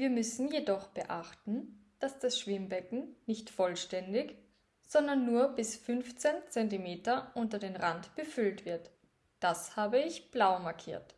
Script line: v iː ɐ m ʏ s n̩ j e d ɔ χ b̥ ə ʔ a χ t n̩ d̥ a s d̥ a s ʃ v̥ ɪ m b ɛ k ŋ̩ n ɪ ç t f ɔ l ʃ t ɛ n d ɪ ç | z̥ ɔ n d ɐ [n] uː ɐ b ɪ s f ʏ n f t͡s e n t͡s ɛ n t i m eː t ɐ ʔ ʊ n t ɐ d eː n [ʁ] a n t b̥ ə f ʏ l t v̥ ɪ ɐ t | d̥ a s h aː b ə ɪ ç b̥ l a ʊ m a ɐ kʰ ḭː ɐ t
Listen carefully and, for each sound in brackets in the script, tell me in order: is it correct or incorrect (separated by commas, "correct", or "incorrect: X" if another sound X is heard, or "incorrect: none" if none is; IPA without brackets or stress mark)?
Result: incorrect: nː, correct